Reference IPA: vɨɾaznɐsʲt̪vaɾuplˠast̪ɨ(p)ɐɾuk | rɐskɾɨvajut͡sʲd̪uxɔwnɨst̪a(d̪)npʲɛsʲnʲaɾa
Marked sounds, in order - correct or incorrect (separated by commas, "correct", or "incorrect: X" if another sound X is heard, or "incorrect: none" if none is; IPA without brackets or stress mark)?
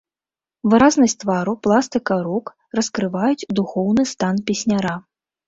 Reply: incorrect: k, incorrect: none